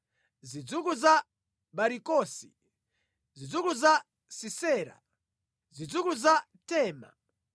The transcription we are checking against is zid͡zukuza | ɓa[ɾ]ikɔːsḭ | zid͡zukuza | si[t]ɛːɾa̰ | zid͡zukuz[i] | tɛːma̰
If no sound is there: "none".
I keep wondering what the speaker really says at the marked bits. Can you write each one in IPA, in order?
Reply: ɾ, s, a

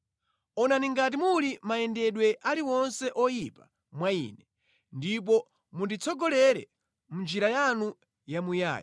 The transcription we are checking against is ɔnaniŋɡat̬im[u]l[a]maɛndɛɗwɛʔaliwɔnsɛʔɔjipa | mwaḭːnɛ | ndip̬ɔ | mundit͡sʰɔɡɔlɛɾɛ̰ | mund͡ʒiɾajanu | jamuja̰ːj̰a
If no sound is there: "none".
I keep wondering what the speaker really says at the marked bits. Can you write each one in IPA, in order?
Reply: u, i

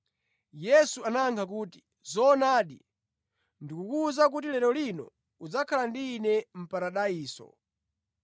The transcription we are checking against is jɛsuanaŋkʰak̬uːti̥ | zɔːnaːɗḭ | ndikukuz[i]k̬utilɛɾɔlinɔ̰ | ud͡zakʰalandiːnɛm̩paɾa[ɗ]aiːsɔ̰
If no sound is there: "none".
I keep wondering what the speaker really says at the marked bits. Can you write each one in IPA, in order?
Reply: a, ɗ

